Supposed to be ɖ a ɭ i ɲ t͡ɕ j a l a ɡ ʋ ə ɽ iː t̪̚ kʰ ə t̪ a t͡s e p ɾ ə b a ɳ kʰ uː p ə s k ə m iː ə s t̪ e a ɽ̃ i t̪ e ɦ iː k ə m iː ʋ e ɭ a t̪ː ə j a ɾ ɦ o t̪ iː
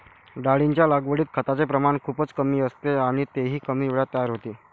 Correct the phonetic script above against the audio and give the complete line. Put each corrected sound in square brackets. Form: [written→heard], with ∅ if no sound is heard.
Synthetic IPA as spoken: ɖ a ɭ i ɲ t͡ɕ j a l a ɡ ʋ ə ɽ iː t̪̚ kʰ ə t̪ a t͡s e p ɾ ə [b→m] a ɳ kʰ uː p ə [s→t͡s] k ə m iː ə s t̪ e a ɽ̃ i t̪ e ɦ iː k ə m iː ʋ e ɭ a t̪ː ə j a ɾ ɦ o t̪ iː